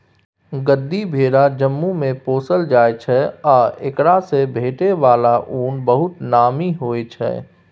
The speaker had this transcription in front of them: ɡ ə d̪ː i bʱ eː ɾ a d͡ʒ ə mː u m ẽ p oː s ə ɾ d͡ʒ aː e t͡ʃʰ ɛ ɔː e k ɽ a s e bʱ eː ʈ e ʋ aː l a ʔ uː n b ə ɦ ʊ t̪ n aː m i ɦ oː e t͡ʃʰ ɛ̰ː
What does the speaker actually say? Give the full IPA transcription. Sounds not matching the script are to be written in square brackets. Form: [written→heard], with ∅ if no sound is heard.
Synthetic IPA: ɡ ə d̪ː i bʱ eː ɾ a d͡ʒ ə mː u m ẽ p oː s ə [ɾ→l] d͡ʒ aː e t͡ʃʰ ɛ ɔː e k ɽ a s e bʱ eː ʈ e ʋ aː l a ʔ uː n b ə ɦ ʊ t̪ n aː m i ɦ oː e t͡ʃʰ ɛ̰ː